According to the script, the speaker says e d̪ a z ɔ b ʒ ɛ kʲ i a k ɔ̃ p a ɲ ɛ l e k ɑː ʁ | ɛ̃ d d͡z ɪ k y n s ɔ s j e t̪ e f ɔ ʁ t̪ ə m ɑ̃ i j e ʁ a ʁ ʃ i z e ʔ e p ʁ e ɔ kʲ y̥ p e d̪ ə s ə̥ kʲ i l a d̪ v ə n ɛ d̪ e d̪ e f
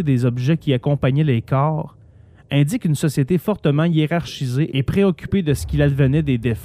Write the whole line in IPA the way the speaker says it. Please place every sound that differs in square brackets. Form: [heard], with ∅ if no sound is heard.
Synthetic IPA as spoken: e d̪ [e] z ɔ b ʒ ɛ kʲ i a k ɔ̃ p a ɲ ɛ l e k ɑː ʁ | ɛ̃ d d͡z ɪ k y n s ɔ s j e t̪ e f ɔ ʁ t̪ ə m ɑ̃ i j e ʁ a ʁ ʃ i z e ʔ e p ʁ e ɔ kʲ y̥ p e d̪ ə s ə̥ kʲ i l a d̪ v ə n ɛ d̪ e d̪ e f